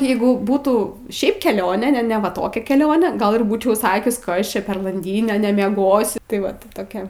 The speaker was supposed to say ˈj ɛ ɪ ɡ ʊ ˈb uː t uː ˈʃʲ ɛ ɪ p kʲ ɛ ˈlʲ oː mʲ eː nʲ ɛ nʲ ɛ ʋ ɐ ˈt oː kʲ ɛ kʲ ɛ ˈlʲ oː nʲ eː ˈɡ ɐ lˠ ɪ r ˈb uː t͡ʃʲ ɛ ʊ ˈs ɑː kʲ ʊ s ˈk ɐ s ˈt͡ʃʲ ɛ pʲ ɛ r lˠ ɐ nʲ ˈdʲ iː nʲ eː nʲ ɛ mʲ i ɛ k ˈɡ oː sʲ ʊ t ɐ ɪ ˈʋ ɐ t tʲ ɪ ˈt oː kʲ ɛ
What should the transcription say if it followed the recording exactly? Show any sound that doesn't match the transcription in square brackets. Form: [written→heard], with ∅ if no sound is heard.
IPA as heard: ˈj ɛ ɪ ɡ ʊ ˈb uː t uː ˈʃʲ ɛ ɪ p kʲ ɛ ˈlʲ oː [mʲ→nʲ] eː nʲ ɛ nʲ ɛ ʋ ɐ ˈt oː kʲ ɛ kʲ ɛ ˈlʲ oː nʲ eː ˈɡ ɐ lˠ ɪ r ˈb uː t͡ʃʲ ɛ ʊ ˈs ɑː kʲ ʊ s ˈk ɐ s ˈt͡ʃʲ ɛ pʲ ɛ r lˠ ɐ nʲ ˈdʲ iː nʲ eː nʲ ɛ mʲ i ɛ [k→∅] ˈɡ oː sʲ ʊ t ɐ ɪ ˈʋ ɐ t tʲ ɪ ˈt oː kʲ ɛ